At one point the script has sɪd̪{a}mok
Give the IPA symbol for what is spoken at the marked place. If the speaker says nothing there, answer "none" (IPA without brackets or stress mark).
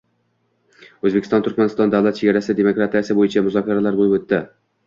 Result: e